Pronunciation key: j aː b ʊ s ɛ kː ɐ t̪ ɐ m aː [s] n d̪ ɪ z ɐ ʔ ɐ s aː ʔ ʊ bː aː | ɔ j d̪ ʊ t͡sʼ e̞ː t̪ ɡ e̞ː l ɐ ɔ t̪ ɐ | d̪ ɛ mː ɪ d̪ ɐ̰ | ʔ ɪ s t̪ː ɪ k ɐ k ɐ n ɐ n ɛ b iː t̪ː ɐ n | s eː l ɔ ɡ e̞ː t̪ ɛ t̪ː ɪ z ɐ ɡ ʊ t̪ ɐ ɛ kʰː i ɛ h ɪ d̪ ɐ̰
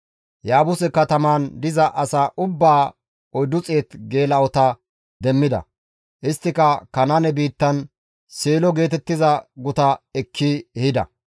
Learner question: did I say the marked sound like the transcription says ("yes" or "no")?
no